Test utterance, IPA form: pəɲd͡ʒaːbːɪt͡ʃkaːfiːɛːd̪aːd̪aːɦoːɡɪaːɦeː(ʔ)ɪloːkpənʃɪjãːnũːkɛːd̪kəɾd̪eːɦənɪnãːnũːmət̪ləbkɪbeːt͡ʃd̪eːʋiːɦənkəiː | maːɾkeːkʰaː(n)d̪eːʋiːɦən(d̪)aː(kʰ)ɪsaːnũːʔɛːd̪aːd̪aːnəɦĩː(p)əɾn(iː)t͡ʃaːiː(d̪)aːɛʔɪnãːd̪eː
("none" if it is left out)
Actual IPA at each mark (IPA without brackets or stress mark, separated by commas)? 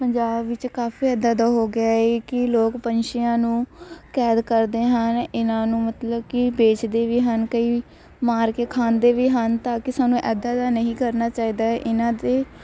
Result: k, n, t̪, k, k, aː, d̪